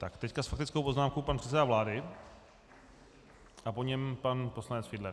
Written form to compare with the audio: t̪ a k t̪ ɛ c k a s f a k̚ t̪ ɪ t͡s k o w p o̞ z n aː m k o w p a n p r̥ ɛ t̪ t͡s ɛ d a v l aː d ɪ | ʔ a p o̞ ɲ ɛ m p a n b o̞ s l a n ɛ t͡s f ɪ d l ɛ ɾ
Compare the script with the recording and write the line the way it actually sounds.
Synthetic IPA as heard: t̪ a k t̪ ɛ c k a s f a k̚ t̪ ɪ t͡s k o w p o̞ z n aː m k o w p a n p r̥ ɛ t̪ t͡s ɛ d a v l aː d ɪ | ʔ a p o̞ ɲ ɛ m p a n p o̞ s l a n ɛ t͡s f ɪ d l ɛ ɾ